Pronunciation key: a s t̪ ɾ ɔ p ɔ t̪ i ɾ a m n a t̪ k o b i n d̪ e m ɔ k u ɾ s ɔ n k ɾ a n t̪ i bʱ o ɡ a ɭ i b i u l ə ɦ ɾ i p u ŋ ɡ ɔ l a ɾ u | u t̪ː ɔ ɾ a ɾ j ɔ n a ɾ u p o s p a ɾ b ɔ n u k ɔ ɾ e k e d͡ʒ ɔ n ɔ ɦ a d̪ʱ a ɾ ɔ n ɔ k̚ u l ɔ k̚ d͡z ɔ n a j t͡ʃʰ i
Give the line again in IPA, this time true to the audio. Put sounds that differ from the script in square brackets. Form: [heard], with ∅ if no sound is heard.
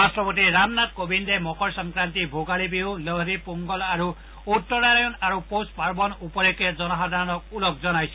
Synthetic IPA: a s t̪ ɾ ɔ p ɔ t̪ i ɾ a m n a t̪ k o b i n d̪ e m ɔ k [ɔ] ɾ s ɔ [ŋ] k ɾ a n t̪ i bʱ o ɡ a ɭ i b i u l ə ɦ ɾ i p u ŋ ɡ ɔ l a ɾ u | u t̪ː ɔ ɾ a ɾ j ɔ n a ɾ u p o s p a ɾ b ɔ n u [p] ɔ ɾ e k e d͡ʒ ɔ n ɔ ɦ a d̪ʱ a ɾ ɔ n ɔ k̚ u l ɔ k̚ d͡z ɔ n a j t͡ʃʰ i